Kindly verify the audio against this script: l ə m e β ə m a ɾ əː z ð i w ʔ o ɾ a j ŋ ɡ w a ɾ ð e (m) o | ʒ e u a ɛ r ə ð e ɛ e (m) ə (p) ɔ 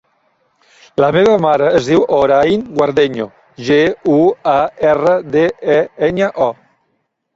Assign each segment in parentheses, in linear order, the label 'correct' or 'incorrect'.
incorrect, incorrect, incorrect

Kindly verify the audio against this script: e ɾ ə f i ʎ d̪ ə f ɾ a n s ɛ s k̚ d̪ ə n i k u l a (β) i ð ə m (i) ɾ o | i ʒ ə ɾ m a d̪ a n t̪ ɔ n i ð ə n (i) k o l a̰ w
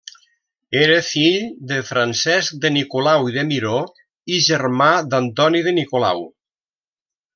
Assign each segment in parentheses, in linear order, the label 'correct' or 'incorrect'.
incorrect, correct, correct

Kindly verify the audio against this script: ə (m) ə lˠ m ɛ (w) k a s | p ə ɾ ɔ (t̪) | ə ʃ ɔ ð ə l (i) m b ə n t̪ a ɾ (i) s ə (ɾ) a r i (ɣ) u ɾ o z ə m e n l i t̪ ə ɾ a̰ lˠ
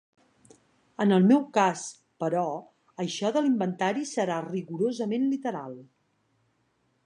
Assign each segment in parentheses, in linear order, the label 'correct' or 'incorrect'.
incorrect, correct, incorrect, correct, correct, correct, correct

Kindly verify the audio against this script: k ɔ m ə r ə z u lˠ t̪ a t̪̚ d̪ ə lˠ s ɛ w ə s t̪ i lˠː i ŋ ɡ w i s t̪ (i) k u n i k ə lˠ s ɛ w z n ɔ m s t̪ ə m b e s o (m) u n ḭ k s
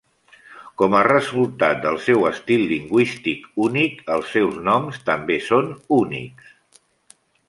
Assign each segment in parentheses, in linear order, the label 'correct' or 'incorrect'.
correct, incorrect

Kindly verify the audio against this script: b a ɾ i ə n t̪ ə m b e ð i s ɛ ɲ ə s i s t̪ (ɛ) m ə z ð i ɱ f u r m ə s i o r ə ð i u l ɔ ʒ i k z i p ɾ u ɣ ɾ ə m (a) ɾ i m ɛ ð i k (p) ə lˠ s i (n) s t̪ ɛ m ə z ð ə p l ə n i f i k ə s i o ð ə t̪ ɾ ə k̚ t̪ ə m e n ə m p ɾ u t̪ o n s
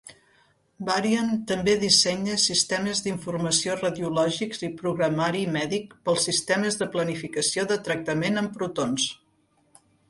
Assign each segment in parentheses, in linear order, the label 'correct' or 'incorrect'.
correct, correct, correct, incorrect

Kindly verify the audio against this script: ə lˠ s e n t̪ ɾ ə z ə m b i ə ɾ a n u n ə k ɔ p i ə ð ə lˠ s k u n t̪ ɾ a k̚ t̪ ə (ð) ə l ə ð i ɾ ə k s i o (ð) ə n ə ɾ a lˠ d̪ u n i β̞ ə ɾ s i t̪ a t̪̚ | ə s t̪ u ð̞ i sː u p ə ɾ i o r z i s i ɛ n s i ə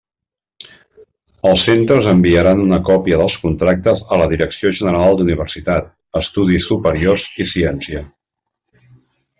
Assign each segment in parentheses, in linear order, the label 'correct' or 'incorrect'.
incorrect, incorrect

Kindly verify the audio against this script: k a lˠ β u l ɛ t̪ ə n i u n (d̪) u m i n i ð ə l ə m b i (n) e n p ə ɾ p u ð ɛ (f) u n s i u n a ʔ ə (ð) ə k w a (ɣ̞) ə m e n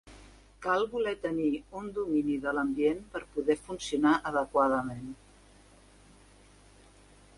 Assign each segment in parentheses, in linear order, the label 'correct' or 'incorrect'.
correct, incorrect, correct, correct, incorrect

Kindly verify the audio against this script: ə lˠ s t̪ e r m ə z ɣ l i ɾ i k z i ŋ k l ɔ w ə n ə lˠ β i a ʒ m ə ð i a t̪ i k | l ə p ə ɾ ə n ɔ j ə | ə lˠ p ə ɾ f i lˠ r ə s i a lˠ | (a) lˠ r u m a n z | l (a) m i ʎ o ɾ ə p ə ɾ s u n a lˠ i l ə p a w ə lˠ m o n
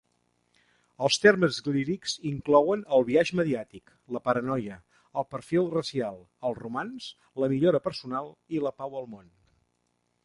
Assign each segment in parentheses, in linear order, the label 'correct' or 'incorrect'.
incorrect, incorrect

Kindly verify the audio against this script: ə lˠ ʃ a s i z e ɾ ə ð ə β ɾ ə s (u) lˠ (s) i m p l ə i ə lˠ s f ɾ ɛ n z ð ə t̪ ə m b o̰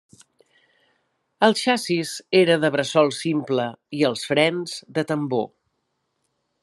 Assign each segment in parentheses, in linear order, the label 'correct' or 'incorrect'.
incorrect, correct

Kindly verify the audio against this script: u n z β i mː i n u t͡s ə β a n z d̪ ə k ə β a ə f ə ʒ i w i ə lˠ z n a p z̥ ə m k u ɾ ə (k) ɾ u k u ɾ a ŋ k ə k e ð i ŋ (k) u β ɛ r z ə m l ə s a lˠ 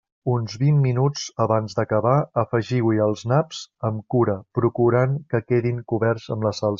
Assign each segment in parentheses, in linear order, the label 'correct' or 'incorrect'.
incorrect, correct

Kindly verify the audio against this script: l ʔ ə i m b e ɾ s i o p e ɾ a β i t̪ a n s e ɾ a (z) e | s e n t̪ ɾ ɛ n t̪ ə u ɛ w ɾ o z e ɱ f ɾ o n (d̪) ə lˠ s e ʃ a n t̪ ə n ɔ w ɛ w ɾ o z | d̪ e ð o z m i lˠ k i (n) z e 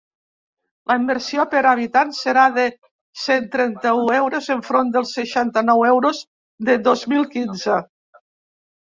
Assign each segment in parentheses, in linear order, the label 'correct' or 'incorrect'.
incorrect, correct, correct

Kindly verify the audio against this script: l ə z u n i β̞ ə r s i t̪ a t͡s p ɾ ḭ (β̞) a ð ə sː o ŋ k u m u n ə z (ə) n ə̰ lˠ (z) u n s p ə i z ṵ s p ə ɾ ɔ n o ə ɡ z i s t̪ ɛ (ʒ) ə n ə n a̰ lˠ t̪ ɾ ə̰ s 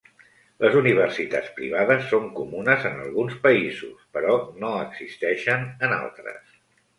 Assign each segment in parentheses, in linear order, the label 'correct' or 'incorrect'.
correct, correct, incorrect, incorrect

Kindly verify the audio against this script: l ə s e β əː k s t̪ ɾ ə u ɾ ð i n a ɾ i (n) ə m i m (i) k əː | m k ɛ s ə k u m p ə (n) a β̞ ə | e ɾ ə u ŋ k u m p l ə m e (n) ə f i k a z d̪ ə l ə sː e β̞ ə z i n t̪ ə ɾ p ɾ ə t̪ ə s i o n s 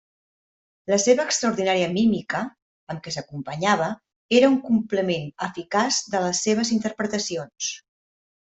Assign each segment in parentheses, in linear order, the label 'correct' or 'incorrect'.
incorrect, correct, incorrect, correct

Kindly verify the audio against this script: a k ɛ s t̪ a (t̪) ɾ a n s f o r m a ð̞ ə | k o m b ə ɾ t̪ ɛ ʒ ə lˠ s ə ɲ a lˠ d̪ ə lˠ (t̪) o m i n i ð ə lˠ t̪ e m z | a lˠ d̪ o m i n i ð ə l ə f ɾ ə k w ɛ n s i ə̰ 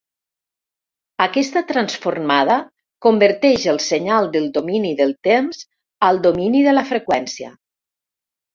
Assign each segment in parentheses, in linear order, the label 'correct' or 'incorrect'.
correct, incorrect

